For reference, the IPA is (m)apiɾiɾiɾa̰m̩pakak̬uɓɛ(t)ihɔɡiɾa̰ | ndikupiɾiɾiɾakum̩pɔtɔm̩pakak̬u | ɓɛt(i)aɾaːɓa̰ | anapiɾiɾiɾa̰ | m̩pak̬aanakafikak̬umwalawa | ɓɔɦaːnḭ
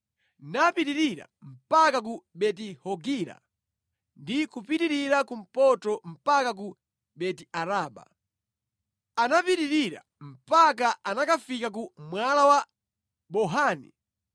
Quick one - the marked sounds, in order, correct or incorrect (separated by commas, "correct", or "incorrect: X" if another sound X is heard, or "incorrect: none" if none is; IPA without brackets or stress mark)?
incorrect: n, correct, correct